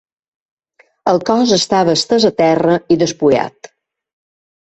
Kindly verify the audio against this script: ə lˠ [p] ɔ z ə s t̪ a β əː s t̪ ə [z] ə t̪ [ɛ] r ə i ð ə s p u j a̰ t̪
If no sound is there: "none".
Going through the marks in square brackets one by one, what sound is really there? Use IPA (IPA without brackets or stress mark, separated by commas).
k, z, ɛ